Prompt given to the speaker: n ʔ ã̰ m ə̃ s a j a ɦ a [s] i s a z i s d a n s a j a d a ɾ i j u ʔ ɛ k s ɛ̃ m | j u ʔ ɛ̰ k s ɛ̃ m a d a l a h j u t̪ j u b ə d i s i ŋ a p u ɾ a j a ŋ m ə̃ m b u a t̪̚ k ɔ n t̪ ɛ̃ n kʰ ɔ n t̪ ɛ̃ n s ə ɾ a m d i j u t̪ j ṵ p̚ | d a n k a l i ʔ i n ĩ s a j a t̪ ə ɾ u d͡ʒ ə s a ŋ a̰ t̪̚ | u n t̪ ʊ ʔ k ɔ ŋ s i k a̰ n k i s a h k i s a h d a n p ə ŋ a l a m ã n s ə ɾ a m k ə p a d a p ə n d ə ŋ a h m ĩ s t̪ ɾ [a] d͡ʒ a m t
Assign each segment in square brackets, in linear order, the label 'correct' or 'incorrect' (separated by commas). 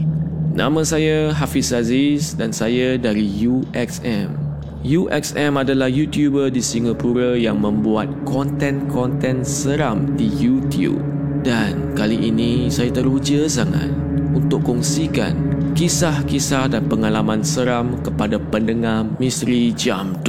incorrect, incorrect